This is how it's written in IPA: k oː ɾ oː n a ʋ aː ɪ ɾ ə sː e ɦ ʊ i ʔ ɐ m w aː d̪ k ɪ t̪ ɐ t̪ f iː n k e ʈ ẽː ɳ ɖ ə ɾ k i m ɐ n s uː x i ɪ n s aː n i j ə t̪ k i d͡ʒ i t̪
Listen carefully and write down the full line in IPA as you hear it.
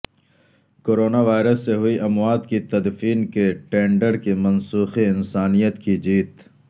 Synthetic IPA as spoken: k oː ɾ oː n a ʋ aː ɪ ɾ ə sː e ɦ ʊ i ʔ ɐ m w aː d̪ k i t̪ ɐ d̪ f iː n k e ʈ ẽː ɳ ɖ ə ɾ k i m ɐ n s uː x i ɪ n s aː n i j ə t̪ k i d͡ʒ iː t̪